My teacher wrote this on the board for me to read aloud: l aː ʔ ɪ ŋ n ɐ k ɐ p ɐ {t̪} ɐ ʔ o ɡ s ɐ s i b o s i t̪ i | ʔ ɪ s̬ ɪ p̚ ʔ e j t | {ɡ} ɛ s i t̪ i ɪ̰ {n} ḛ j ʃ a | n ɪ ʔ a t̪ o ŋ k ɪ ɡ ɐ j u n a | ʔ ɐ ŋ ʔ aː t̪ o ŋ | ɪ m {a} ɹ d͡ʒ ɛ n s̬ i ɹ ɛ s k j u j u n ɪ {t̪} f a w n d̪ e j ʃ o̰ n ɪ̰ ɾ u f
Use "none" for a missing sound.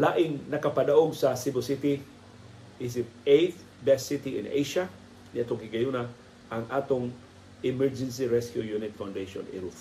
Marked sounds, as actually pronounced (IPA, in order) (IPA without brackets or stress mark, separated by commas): d̪, b, n, ɛ, t̪